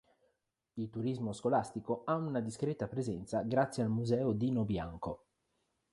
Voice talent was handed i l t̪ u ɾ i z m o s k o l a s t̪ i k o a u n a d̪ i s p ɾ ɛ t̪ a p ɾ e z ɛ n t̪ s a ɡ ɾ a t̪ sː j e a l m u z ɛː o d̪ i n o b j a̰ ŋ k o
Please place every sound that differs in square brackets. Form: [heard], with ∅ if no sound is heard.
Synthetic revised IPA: i l t̪ u ɾ i z m o s k o l a s t̪ i k o a u n a d̪ i s [k] ɾ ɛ t̪ a p ɾ e z ɛ n t̪ s a ɡ ɾ a t̪ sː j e a l m u z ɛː o d̪ i n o b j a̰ ŋ k o